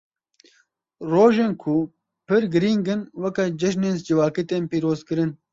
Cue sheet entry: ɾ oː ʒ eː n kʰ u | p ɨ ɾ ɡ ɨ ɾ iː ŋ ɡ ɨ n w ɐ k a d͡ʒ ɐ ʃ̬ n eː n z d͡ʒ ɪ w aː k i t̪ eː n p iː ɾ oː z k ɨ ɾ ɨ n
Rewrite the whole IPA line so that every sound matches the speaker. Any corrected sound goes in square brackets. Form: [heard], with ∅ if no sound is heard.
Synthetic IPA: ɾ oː ʒ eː n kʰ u | p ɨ ɾ ɡ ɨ ɾ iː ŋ ɡ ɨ n w ɐ k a d͡ʒ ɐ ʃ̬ n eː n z d͡ʒ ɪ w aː k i t̪ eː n p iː ɾ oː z k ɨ ɾ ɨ n

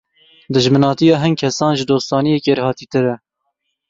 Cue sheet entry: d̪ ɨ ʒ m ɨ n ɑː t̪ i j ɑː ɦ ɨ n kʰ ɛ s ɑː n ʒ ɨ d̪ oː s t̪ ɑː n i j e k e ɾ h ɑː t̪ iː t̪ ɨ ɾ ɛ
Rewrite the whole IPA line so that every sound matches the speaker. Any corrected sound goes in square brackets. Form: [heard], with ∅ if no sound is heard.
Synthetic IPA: d̪ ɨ ʒ m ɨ n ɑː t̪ i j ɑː ɦ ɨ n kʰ ɛ s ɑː n ʒ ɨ d̪ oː s t̪ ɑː n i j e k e ɾ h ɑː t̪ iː t̪ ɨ ɾ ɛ

